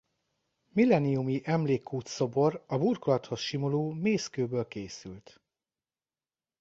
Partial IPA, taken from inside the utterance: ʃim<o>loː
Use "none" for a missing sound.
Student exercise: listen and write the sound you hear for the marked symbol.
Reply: o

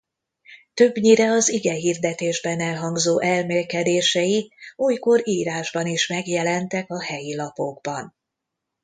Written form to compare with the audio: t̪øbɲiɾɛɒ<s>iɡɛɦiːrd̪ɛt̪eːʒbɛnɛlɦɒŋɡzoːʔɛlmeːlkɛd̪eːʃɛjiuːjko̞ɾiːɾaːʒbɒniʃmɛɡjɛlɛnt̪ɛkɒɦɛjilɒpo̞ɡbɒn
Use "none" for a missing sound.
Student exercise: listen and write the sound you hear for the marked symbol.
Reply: z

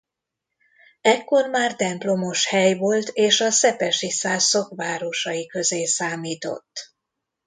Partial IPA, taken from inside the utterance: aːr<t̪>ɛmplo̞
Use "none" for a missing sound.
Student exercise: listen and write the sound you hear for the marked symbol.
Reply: t̪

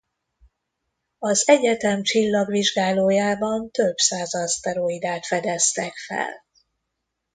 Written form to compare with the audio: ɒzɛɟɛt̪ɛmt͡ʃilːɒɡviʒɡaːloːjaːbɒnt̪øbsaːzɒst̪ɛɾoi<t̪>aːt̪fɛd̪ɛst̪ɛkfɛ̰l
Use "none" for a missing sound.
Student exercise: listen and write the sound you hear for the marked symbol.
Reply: d̪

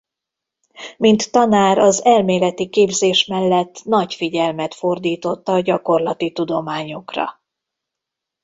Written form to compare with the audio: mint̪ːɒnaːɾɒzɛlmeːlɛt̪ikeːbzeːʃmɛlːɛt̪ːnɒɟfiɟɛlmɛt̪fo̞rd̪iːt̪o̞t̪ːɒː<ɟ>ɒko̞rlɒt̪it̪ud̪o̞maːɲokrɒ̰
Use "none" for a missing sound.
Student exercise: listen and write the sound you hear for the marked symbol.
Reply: ɟ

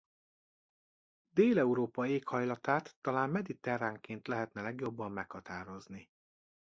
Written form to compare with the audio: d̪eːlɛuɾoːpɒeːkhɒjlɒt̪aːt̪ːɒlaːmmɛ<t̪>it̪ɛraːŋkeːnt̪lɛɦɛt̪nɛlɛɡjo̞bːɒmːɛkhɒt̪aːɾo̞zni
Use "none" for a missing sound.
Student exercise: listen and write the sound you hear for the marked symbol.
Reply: d̪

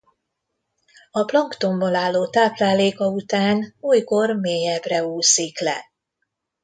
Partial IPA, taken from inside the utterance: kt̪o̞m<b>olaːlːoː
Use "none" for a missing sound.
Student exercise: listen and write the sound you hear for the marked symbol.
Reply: b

